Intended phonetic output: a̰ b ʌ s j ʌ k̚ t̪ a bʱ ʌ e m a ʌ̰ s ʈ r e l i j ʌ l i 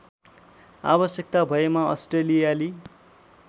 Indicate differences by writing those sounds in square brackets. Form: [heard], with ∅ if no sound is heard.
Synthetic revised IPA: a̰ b ʌ s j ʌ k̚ t̪ a bʱ ʌ e m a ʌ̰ s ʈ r e l i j [a] l i